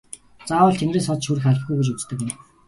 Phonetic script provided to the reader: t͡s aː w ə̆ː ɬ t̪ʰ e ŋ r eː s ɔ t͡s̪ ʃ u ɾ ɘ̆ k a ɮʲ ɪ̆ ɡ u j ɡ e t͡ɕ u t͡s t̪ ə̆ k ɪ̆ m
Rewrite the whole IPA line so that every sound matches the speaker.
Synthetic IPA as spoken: t͡s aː w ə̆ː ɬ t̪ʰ e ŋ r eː s ɔ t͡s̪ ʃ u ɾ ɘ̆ x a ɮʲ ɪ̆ ɡ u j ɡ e t͡ɕ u t͡s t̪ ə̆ k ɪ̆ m